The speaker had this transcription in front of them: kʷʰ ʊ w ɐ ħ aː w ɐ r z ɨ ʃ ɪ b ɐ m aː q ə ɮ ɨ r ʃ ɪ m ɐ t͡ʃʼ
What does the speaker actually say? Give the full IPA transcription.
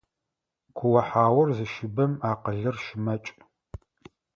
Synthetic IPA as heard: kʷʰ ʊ w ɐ ħ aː w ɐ r z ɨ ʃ ɪ b ɐ m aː q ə ɮ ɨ r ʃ ɪ m ɐ t͡ʃʼ